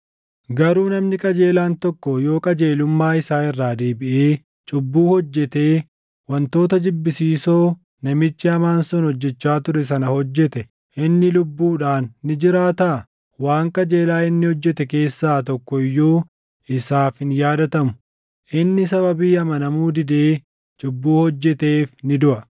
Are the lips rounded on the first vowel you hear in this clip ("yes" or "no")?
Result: no